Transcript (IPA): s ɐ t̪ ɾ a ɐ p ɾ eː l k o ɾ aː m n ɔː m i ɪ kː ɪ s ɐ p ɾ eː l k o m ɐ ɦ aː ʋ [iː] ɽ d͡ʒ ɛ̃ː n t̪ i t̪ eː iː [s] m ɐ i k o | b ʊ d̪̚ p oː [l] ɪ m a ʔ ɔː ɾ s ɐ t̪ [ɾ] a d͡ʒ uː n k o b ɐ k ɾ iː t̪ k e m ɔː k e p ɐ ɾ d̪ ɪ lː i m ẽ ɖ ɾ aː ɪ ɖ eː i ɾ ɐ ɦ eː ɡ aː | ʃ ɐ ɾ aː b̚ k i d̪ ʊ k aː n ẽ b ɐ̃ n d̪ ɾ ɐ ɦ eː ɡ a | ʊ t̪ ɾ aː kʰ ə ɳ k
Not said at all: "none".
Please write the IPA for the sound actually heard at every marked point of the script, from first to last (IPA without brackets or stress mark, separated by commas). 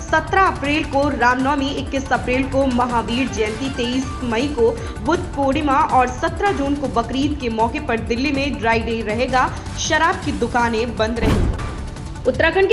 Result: iː, s, ɽ, ɾ